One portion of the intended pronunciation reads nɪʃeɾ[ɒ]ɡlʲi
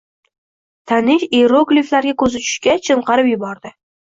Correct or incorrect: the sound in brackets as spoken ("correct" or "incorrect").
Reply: incorrect